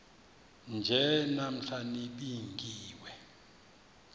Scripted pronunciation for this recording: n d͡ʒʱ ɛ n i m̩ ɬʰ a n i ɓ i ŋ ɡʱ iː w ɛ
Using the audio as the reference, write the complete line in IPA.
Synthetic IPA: n d͡ʒʱ ɛ n a m̩ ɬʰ a n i ɓ i ŋ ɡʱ iː w ɛ

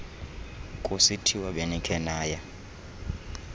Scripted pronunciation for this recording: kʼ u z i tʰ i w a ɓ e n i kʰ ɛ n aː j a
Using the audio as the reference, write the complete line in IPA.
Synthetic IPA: kʼ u s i tʰ i w a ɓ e n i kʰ ɛ n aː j a

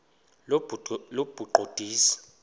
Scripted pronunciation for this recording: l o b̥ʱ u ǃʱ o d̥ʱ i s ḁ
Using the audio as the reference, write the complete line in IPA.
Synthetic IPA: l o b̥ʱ u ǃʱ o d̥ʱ iː s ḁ

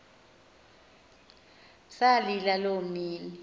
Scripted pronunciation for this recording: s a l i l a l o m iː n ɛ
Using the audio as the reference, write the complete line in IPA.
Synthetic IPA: s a l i l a l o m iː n i

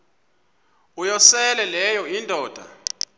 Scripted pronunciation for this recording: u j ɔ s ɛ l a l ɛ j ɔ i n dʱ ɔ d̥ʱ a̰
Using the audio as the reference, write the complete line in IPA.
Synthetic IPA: u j ɔ s ɛ l ɛ l ɛ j ɔ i n dʱ ɔː d̥ʱ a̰

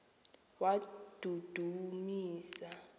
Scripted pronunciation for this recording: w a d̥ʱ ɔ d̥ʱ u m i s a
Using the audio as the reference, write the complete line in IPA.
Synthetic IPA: w a d̥ʱ u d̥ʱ u m iː s a

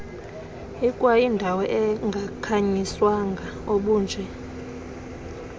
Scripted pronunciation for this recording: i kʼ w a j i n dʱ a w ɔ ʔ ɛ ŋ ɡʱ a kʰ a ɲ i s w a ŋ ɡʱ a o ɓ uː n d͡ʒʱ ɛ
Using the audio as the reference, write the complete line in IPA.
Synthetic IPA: i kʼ w a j i n dʱ a w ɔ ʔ ɛ ŋ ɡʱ a kʰ a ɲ i s w a ŋ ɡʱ a o ɓ uː n d͡ʒʱ ɛ

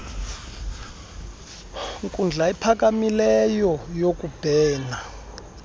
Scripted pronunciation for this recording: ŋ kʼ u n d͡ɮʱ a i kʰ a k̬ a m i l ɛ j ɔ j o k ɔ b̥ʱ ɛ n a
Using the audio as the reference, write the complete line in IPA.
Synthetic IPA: ŋ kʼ u n d͡ɮʱ a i pʰ a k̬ a m i l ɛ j ɔ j o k u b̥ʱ ɛː n a

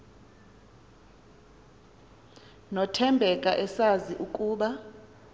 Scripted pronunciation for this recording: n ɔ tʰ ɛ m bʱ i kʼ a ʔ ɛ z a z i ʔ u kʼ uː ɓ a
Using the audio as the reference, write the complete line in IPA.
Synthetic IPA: n ɔ tʰ ɛ m bʱ ɛ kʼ a ʔ ɛ s a z i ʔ u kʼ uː ɓ a

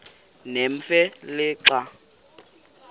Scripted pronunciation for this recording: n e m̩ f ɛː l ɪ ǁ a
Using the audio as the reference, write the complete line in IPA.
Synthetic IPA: n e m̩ f ɛ l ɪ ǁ a

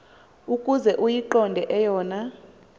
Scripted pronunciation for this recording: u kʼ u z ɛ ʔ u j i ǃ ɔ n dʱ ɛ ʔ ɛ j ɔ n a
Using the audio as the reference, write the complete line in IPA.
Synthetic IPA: u kʼ u z ɛ ʔ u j i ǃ ɔ n dʱ ɛ ʔ ɛ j ɔː n a

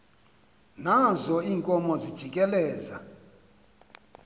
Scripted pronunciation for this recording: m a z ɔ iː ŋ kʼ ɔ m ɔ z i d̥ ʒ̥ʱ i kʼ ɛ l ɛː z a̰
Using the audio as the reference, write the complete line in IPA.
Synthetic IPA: n a z ɔ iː ŋ kʼ ɔ m ɔ z i d̥ ʒ̥ʱ i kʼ ɛ l ɛː z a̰

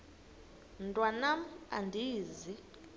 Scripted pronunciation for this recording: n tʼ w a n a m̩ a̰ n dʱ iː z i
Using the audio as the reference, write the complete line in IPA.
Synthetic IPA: n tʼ w a n a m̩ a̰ n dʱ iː z i

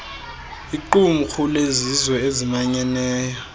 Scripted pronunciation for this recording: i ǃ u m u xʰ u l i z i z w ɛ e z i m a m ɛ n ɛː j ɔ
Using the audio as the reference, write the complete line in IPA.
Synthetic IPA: i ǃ u m u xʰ u l e z i z w ɛ e z i m a ɲ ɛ n ɛː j ɔ

